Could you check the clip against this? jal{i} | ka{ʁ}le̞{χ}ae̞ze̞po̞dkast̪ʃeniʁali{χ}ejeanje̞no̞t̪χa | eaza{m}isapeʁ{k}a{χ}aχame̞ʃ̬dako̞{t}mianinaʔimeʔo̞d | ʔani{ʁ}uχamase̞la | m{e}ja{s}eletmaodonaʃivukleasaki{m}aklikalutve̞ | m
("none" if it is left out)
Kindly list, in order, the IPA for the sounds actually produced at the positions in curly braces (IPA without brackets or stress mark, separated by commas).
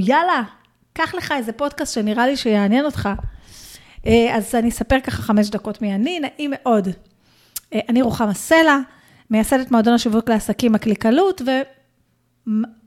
a, χ, χ, ʃ, n, k, χ, t, ʁ, e, s, m